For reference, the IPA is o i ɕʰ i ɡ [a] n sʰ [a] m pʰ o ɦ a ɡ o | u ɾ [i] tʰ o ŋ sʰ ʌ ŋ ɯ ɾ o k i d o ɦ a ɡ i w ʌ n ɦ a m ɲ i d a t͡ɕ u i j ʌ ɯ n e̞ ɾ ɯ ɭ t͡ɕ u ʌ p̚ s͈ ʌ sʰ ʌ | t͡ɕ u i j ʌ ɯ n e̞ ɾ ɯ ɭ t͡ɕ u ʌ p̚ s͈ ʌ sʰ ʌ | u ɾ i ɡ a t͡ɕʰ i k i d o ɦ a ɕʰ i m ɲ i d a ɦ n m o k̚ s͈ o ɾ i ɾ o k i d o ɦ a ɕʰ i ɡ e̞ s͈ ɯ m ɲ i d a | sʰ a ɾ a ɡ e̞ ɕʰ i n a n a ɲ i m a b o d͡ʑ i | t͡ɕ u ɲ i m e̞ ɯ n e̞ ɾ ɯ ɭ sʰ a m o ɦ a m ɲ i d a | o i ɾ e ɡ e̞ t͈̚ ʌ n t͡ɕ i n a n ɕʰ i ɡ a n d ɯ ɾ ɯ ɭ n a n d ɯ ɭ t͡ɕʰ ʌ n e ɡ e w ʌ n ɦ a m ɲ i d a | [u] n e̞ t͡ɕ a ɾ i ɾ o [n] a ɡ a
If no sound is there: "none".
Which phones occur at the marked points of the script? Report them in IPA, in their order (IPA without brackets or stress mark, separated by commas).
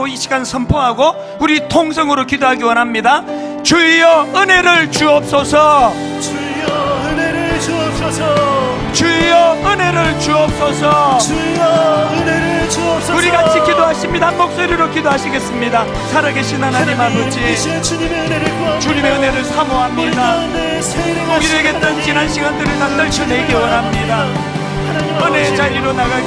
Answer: a, ʌ, i, ɯ, n